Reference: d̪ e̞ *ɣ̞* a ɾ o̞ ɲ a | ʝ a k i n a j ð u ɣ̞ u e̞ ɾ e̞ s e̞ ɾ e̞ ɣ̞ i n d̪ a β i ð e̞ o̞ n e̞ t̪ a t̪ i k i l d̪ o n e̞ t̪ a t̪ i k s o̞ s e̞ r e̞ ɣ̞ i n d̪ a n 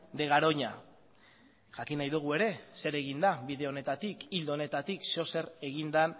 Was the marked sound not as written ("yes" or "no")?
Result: no